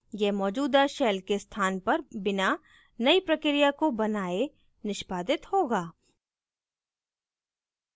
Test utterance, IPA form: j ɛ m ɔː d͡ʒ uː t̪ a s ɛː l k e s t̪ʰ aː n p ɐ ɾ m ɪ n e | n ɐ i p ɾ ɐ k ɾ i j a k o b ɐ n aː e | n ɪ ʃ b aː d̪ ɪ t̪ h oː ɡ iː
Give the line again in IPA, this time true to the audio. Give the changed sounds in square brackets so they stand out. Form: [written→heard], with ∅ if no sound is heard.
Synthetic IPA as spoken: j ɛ m ɔː d͡ʒ uː [t̪→d̪] a [s→ʃ] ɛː l k e s t̪ʰ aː n p ɐ ɾ [m→b] ɪ n [e→a] | n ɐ i p ɾ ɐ k ɾ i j a k o b ɐ n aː e | n ɪ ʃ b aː d̪ ɪ t̪ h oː ɡ [iː→aː]